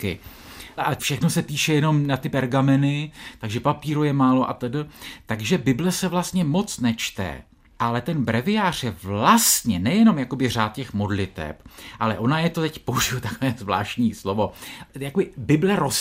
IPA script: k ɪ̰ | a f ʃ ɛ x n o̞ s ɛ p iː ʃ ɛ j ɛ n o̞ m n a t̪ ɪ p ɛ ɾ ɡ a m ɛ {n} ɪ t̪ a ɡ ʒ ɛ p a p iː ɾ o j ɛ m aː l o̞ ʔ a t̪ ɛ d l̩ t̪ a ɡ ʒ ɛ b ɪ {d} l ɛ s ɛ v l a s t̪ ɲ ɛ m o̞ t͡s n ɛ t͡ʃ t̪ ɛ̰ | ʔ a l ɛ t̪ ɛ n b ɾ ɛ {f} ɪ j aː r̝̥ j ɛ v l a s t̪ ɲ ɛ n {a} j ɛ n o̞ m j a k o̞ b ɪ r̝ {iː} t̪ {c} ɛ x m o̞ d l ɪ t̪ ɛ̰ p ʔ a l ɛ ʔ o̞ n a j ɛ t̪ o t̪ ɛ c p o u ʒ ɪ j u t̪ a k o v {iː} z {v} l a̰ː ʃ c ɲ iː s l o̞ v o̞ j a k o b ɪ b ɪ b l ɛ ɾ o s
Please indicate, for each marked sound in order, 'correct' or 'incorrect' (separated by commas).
correct, incorrect, incorrect, incorrect, incorrect, correct, incorrect, correct